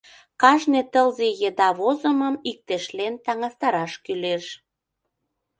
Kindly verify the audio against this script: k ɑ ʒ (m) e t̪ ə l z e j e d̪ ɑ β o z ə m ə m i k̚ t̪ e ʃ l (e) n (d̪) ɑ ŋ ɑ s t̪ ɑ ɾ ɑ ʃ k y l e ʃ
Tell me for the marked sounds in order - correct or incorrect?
incorrect: n, correct, incorrect: t̪

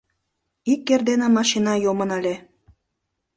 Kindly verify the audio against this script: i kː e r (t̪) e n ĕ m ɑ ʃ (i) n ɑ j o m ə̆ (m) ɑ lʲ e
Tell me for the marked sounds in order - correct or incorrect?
incorrect: d̪, correct, incorrect: n

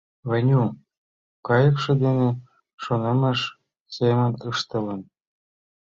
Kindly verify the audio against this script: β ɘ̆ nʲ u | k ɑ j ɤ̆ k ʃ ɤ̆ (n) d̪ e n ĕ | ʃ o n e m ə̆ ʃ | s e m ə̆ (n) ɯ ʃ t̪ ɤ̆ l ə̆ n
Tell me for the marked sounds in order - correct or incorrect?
incorrect: none, correct

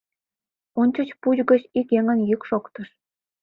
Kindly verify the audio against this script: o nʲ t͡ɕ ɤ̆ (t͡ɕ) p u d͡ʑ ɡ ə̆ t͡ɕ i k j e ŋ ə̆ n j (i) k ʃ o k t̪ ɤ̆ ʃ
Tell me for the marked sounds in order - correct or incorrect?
correct, incorrect: y

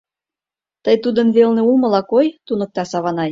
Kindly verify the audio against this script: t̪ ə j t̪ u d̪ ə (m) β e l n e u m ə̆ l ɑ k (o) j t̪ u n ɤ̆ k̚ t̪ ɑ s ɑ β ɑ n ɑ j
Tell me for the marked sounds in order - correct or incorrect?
incorrect: n, correct

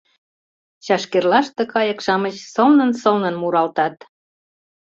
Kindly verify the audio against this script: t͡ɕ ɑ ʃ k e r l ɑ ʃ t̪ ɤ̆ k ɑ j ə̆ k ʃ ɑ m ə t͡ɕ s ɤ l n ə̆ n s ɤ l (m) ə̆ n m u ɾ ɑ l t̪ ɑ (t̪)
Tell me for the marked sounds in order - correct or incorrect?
incorrect: n, correct

